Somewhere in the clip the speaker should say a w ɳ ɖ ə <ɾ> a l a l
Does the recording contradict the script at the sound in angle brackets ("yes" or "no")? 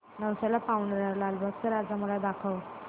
no